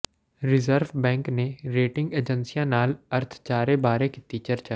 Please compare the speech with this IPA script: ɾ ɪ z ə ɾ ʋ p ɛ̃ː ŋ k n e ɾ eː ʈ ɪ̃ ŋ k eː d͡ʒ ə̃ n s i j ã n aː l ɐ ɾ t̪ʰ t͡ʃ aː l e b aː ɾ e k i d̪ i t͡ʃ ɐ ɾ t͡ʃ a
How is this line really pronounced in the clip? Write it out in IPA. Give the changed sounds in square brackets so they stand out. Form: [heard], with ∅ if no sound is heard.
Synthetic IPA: ɾ ɪ z ə ɾ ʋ [b] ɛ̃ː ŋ k n e ɾ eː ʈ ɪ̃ ŋ [ɡ] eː d͡ʒ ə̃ n s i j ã n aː l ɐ ɾ t̪ʰ t͡ʃ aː [ɾ] e b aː ɾ e k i [t̪] i t͡ʃ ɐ ɾ t͡ʃ a